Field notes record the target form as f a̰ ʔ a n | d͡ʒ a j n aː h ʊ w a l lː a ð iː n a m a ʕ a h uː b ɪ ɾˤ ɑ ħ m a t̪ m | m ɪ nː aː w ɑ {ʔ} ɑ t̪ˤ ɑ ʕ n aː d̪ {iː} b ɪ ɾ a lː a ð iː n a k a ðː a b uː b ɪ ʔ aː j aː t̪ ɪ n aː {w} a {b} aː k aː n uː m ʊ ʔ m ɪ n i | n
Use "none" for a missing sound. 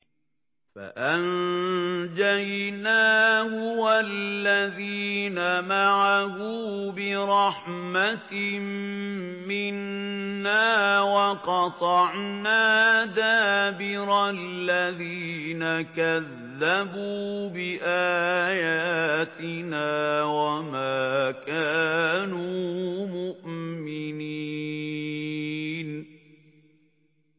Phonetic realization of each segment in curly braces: q, aː, w, m

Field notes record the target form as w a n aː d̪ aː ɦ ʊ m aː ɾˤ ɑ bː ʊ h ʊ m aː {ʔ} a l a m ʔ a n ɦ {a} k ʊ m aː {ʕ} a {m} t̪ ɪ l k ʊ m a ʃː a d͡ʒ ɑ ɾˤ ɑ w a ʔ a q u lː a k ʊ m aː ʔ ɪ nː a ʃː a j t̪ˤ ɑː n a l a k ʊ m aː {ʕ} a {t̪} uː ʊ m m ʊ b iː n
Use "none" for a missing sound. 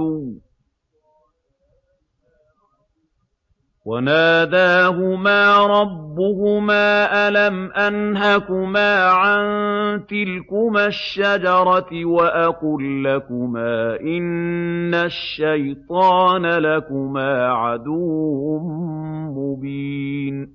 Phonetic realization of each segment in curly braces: ʔ, a, ʕ, n, ʕ, d̪

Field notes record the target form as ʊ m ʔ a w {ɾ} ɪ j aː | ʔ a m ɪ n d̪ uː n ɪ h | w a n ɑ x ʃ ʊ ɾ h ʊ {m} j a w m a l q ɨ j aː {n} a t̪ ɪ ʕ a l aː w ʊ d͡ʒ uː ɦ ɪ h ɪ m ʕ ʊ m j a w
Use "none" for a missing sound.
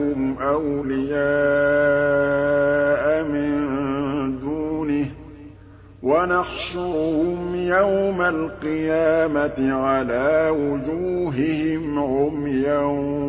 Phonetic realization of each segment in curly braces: l, m, m

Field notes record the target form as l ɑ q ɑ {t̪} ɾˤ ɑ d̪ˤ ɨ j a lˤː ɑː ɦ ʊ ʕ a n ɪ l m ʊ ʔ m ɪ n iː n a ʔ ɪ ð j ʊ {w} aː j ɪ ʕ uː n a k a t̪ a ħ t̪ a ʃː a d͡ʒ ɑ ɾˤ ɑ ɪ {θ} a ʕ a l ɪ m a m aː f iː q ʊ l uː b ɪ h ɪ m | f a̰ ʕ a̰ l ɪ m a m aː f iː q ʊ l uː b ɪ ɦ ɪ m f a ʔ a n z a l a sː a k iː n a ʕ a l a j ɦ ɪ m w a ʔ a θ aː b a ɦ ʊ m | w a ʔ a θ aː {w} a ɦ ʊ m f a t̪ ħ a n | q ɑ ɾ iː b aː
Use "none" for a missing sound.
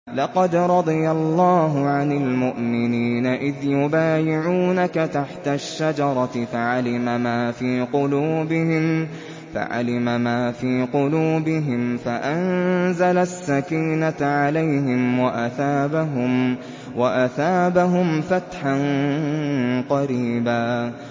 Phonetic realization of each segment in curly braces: d̪, b, f, b

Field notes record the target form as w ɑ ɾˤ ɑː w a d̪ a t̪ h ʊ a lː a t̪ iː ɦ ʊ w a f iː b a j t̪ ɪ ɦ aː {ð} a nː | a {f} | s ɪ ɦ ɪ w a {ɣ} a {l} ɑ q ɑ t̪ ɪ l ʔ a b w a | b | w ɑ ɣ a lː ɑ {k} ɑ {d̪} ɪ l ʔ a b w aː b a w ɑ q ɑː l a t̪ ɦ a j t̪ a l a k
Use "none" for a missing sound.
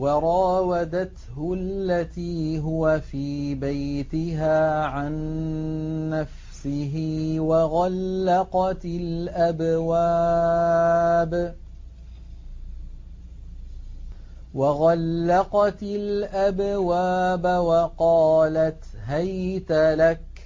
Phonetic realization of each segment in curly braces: ʕ, f, ɣ, lː, q, t̪

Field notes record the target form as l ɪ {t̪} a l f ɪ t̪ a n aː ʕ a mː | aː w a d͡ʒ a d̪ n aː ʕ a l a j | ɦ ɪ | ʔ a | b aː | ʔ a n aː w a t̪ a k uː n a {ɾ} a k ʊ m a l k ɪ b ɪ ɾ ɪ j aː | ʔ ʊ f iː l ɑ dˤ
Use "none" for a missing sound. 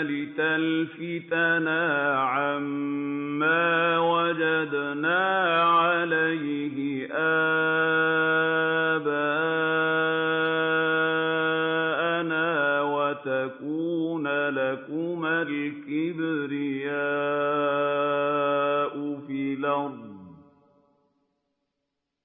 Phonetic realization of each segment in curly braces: t̪, l

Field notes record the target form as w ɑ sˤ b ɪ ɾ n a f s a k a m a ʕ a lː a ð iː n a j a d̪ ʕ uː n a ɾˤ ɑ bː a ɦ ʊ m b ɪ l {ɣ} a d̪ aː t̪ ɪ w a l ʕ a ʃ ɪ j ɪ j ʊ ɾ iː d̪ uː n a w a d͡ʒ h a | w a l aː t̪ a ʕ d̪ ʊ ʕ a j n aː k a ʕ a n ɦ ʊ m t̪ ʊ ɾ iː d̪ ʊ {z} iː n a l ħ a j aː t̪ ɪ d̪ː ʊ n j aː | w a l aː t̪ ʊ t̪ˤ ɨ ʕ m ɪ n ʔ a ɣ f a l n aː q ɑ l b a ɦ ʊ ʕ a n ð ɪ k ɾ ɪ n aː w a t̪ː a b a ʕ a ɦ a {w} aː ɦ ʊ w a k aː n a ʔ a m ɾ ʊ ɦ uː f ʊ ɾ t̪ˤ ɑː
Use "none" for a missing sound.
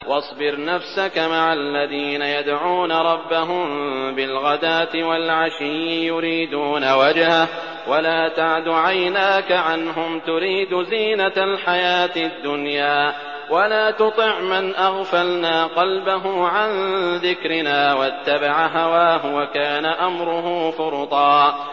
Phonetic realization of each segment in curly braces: ɣ, z, w

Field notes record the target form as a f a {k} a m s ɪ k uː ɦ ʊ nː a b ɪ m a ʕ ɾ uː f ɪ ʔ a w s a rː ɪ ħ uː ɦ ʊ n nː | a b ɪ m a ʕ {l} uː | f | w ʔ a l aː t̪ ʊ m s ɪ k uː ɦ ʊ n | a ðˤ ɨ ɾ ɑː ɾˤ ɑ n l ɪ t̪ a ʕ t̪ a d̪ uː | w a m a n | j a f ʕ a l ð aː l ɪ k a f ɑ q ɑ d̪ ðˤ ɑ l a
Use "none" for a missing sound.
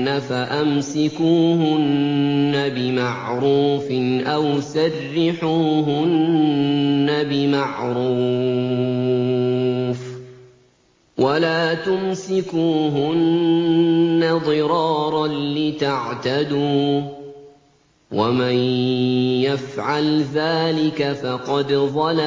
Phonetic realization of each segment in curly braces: ʔ, ɾ

